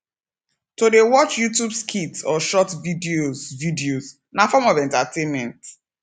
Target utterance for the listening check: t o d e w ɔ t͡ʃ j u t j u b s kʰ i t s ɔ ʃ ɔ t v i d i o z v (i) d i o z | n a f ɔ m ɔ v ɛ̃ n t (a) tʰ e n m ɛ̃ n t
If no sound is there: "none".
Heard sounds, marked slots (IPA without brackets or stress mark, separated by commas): i, a